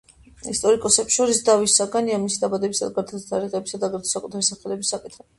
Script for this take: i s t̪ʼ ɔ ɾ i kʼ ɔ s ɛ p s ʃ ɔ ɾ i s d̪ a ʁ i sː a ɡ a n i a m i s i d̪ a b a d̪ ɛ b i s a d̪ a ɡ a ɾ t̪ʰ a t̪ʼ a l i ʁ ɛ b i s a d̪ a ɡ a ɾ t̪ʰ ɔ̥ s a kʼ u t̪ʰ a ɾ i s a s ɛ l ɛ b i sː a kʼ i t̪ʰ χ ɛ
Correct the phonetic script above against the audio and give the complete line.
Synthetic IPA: i s t̪ʼ ɔ ɾ i kʼ ɔ s ɛ p s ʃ ɔ ɾ i s d̪ a v i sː a ɡ a n i a m i s i d̪ a b a d̪ ɛ b i s a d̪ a ɡ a ɾ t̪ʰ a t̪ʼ a ɾ i ʁ ɛ b i s a d̪ a ɡ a ɾ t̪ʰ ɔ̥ s a kʼ u t̪ʰ a ɾ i s a χ ɛ l ɛ b i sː a kʼ i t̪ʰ χ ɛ